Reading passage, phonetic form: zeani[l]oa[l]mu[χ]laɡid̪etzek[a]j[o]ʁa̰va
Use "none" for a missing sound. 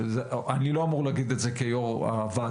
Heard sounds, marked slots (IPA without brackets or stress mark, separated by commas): l, none, ʁ, e, o